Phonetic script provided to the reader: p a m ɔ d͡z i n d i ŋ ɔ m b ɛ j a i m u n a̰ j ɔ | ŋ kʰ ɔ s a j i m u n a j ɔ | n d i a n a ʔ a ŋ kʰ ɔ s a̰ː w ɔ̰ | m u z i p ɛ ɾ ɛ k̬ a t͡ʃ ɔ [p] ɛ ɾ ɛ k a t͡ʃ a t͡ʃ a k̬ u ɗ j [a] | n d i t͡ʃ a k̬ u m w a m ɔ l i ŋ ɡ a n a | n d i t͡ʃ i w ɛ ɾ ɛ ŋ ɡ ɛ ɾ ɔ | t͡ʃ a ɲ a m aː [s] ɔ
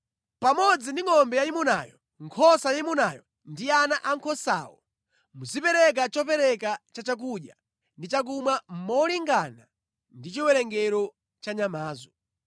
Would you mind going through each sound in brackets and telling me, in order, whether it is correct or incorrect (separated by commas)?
correct, correct, incorrect